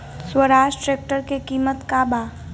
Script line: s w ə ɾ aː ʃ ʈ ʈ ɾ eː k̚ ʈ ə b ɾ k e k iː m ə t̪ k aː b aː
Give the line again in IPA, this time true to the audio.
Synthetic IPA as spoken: s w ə ɾ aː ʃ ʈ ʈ ɾ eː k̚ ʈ ə ɾ k e k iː m ə t̪ k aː b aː